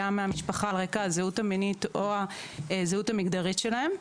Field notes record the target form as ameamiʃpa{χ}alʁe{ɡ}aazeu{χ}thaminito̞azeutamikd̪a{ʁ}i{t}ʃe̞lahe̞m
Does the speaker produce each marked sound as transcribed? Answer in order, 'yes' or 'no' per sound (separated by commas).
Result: yes, no, no, yes, yes